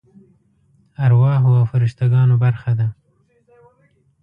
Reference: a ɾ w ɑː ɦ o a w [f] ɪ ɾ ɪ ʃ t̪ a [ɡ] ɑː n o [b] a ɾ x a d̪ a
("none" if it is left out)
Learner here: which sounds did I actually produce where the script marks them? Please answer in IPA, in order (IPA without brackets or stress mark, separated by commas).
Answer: f, ɡ, b